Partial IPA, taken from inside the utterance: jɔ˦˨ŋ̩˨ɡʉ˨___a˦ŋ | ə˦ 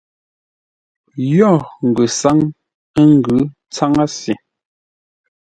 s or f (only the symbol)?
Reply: s